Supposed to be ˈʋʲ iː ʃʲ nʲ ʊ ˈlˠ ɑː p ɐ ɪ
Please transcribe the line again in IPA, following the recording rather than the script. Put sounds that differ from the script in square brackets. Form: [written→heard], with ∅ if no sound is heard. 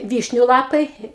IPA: ˈʋʲ iː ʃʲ nʲ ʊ ˈlˠ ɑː p ɐ ɪ